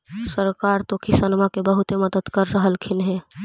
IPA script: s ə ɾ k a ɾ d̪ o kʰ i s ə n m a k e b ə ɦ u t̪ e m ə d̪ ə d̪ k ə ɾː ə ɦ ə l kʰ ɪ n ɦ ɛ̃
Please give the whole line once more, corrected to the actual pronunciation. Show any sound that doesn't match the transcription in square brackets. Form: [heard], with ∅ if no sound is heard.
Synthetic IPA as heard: s ə ɾ k a ɾ [t̪] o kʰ i s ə n m a k e b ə ɦ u t̪ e m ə d̪ ə d̪ k ə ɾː ə ɦ ə l kʰ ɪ n ɦ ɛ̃